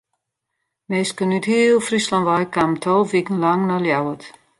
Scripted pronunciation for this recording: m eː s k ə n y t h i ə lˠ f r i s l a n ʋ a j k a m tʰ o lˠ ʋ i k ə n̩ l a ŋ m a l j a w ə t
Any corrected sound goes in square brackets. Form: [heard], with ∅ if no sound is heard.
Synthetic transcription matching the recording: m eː s k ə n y t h i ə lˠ f r i s l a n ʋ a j k a m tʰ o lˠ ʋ i k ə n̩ l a ŋ [n] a l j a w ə t